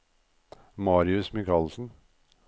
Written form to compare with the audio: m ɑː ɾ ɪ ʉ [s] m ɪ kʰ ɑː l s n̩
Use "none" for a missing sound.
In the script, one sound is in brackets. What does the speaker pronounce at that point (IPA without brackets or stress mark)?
s